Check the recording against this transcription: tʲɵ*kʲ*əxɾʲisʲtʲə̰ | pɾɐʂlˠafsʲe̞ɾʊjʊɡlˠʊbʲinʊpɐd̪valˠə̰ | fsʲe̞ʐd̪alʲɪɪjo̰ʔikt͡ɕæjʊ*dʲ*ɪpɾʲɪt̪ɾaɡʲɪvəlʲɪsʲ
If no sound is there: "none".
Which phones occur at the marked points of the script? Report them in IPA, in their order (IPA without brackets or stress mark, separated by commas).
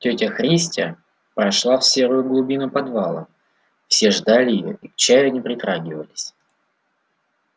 tʲ, nʲ